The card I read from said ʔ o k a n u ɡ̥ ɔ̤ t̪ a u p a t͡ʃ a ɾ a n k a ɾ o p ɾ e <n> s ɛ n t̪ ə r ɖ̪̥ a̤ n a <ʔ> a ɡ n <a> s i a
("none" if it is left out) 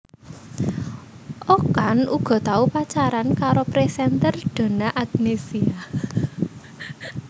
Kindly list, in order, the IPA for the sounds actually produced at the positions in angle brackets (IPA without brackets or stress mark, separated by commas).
none, ʔ, e